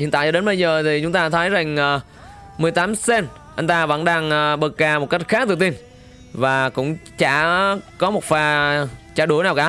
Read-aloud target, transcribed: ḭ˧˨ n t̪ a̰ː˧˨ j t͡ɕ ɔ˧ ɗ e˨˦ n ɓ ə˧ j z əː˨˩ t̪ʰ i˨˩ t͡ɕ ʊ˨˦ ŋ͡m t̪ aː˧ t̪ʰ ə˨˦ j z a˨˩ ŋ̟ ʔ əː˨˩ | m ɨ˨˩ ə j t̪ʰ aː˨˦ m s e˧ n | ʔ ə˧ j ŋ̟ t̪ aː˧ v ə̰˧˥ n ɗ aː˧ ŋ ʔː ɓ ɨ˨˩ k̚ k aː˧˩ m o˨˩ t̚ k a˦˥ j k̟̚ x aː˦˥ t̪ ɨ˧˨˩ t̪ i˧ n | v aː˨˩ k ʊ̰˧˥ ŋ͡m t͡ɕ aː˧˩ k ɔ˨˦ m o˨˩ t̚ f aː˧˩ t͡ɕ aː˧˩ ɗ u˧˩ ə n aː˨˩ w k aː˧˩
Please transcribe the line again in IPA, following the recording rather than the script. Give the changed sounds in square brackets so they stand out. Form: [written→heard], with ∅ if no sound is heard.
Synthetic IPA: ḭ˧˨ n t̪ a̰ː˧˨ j t͡ɕ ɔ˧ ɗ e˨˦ n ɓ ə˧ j z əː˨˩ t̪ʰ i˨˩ t͡ɕ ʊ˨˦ ŋ͡m t̪ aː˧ t̪ʰ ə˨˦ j z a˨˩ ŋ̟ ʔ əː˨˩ | m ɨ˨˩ ə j [t̪ʰ→t̪] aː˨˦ m s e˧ n | ʔ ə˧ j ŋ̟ t̪ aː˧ v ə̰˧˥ n ɗ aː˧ ŋ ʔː ɓ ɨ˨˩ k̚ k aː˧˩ m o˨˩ t̚ k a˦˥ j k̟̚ x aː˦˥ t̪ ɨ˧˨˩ t̪ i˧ n | v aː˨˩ k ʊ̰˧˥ ŋ͡m t͡ɕ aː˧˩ k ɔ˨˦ m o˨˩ t̚ f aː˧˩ t͡ɕ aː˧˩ ɗ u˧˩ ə n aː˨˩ w k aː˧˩

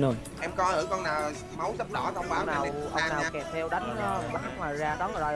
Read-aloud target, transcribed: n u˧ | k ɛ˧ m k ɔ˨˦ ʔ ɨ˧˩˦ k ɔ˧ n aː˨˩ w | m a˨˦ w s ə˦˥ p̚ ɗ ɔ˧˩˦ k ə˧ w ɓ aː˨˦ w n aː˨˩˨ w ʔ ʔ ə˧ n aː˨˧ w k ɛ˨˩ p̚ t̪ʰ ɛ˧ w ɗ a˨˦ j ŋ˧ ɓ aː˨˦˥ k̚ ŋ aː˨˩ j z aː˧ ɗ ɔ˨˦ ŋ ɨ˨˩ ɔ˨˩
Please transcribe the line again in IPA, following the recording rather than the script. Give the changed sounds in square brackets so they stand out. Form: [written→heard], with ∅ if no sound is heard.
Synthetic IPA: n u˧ | [k→ʔ] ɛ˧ m k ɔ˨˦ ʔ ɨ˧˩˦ k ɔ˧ n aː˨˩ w | m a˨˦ w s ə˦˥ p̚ ɗ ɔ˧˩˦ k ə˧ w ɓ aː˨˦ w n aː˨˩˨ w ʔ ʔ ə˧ n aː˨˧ w k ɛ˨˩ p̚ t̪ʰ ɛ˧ w ɗ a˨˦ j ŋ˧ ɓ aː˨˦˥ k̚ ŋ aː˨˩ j z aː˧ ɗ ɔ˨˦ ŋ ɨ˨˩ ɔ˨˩

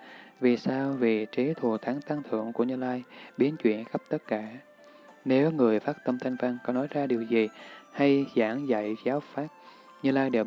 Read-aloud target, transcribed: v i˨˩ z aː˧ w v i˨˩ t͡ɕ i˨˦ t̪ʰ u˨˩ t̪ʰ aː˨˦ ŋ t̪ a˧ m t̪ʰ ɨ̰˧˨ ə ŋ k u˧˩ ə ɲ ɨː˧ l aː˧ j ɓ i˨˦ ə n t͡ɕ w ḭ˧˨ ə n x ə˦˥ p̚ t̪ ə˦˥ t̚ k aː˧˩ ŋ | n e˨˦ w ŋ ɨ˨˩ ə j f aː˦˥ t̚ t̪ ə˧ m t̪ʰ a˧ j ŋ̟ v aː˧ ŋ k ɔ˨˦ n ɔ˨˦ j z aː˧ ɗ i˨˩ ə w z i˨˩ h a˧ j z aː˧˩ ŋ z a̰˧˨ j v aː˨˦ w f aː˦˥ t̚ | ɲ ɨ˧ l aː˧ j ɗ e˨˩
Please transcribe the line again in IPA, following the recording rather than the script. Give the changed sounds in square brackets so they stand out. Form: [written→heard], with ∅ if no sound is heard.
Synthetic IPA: v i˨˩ [z→s] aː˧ w v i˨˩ t͡ɕ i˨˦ t̪ʰ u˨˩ t̪ʰ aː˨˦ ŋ t̪ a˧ [m→ŋ] t̪ʰ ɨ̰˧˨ ə ŋ k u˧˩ ə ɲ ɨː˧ l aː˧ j ɓ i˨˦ ə n t͡ɕ w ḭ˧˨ ə n x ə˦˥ p̚ t̪ ə˦˥ t̚ k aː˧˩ [ŋ→∅] | n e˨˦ w ŋ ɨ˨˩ ə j f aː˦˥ t̚ t̪ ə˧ m t̪ʰ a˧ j ŋ̟ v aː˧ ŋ k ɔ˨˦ n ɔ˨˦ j z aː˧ ɗ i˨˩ ə w z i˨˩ h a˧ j z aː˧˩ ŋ z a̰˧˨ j [v→z] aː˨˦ w f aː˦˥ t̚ | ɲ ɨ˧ l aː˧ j ɗ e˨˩

